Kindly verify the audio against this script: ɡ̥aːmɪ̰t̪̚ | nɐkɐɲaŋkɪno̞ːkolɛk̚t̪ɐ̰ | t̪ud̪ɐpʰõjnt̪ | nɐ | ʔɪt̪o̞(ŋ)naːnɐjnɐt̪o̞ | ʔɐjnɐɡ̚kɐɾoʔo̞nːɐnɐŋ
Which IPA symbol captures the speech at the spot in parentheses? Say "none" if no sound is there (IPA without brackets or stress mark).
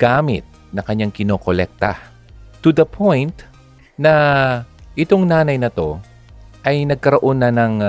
ŋ